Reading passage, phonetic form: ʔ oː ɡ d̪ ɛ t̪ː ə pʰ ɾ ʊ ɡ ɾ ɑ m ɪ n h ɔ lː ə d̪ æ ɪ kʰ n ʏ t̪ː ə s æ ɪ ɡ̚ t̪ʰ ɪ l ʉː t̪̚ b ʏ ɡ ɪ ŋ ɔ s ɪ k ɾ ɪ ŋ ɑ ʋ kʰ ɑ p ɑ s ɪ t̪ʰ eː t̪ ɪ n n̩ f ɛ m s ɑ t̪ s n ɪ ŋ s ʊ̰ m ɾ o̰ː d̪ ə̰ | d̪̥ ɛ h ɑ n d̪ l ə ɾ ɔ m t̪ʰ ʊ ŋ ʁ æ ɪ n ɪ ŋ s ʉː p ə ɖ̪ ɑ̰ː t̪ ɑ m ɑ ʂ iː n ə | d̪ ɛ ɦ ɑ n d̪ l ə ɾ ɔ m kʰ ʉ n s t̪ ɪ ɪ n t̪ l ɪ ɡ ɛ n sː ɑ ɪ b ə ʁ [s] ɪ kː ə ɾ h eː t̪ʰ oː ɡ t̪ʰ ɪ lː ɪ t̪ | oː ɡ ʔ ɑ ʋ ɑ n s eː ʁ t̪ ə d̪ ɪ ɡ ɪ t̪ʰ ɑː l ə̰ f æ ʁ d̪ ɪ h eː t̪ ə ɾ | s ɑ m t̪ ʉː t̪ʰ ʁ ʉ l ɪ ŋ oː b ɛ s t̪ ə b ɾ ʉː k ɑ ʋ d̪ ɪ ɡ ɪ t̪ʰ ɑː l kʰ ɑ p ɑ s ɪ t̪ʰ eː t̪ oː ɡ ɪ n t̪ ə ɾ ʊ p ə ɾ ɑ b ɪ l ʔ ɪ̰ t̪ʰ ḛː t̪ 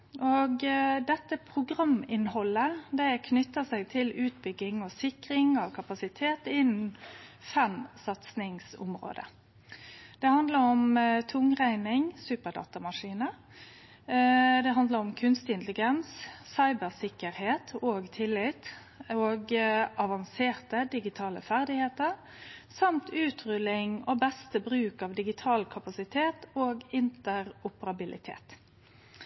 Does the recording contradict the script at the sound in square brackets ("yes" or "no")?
no